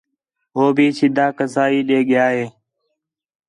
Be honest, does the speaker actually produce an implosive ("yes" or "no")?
yes